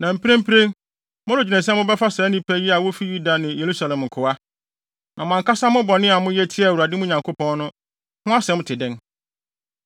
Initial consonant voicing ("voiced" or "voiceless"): voiced